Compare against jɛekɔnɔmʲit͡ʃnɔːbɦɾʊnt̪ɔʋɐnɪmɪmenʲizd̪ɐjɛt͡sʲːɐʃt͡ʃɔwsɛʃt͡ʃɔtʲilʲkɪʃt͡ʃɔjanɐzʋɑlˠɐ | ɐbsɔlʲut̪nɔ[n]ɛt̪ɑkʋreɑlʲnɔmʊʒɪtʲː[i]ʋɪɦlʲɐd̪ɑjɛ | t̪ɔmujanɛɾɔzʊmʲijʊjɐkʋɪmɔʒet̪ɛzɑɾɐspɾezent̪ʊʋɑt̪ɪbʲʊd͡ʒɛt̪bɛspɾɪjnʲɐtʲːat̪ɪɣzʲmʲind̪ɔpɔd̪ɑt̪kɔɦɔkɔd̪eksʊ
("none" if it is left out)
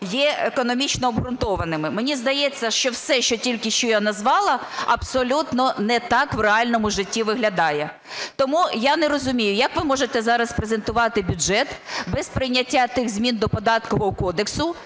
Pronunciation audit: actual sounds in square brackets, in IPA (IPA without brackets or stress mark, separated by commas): n, i